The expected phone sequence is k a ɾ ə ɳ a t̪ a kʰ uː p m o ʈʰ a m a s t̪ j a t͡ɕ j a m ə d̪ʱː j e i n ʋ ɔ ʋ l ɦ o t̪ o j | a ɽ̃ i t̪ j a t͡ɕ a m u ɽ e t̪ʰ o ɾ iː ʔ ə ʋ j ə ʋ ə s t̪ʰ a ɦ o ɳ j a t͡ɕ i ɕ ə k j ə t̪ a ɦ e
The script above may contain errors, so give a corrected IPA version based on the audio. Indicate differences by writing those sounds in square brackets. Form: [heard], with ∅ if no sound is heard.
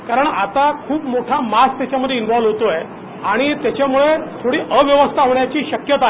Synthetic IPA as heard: k a ɾ ə ɳ a t̪ a kʰ uː p m o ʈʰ a m a s t̪ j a t͡ɕ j a m ə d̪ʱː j e i n ʋ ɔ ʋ l ɦ o t̪ o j | a ɽ̃ i t̪ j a t͡ɕ a m u [ɭ] e t̪ʰ o [ɽ] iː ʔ ə ʋ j ə ʋ ə s t̪ʰ a ɦ o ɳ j a t͡ɕ [iː] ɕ ə k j ə t̪ a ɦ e